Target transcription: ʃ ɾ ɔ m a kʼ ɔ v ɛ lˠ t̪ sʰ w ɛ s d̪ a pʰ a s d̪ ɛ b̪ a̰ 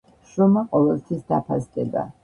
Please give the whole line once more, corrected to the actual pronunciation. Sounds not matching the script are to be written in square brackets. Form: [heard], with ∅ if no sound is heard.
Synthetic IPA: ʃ ɾ ɔ m a [qʼ] ɔ v ɛ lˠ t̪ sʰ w [i] s d̪ a pʰ a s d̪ ɛ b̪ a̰